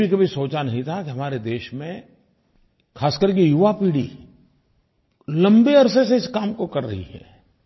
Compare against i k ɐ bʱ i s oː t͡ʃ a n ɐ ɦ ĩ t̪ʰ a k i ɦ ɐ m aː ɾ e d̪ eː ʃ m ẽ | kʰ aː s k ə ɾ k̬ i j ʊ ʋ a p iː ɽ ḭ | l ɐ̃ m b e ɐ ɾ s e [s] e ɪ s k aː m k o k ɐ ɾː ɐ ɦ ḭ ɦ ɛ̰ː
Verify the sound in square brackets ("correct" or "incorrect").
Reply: correct